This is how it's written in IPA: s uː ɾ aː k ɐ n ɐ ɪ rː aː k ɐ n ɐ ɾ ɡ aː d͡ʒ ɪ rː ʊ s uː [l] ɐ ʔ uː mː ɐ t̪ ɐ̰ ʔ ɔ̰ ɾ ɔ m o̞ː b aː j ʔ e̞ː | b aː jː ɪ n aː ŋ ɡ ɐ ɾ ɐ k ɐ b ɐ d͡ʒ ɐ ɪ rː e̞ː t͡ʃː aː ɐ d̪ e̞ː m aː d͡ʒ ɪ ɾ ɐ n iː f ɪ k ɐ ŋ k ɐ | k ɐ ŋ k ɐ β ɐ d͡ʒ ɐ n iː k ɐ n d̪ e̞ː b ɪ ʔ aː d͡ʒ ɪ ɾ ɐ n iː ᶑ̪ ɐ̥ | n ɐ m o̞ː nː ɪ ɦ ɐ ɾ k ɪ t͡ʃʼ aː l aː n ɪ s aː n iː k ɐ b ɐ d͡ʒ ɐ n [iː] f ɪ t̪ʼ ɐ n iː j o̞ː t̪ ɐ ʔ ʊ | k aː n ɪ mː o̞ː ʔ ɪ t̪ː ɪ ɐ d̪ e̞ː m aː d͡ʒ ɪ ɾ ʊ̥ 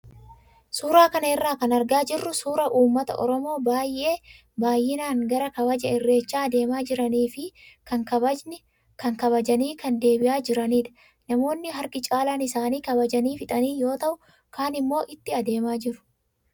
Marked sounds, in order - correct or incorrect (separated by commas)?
incorrect, correct